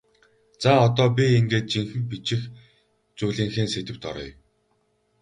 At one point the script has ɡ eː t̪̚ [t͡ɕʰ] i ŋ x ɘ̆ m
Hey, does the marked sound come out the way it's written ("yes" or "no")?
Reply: no